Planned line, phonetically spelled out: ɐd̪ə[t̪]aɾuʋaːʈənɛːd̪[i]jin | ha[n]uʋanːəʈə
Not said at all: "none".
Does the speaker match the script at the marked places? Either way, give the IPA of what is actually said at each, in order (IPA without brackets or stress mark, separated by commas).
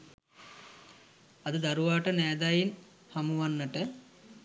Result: d̪, a, m